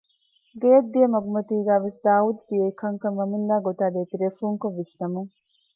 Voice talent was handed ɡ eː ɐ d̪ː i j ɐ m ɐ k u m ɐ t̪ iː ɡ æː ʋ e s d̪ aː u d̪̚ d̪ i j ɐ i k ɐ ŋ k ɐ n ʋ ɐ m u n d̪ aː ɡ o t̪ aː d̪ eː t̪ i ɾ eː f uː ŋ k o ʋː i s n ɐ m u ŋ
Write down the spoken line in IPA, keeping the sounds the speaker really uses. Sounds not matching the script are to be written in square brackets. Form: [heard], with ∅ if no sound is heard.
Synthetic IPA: ɡ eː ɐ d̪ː i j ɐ m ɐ [ɡ] u m ɐ t̪ iː ɡ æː ʋ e s d̪ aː u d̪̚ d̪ i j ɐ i k ɐ ŋ k ɐ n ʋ ɐ m u n d̪ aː ɡ o t̪ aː d̪ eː t̪ i ɾ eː f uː ŋ k o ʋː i s n ɐ m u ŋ